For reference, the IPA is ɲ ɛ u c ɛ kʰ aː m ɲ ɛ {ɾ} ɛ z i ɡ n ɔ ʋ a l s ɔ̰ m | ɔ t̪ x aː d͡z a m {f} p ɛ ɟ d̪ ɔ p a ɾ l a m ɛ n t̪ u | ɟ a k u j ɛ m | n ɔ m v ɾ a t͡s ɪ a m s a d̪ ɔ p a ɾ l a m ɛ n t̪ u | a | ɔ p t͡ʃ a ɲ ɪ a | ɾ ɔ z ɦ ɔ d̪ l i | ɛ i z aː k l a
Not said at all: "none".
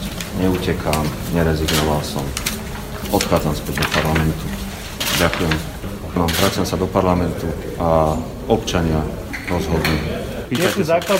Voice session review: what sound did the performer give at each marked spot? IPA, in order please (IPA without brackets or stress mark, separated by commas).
ɾ, s